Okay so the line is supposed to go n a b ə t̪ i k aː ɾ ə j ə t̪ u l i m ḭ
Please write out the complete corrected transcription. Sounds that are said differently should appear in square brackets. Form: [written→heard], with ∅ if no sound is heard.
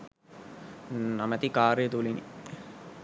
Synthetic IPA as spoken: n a [b→m] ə t̪ i k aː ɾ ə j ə t̪ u l i [m→n] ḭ